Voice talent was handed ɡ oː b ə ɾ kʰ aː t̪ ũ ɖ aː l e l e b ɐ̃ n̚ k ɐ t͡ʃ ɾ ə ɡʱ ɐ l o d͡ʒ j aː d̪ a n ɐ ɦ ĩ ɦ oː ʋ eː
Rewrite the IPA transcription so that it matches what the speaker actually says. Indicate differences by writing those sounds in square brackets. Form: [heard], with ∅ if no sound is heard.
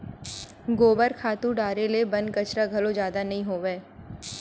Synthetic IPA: ɡ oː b ə ɾ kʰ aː t̪ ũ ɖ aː [ɾ] e l e b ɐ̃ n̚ k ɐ t͡ʃ ɾ [a] ɡʱ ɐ l o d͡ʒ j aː d̪ a n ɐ ɦ ĩ ɦ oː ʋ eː